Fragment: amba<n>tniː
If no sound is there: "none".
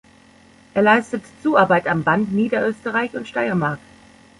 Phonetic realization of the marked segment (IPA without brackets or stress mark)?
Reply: n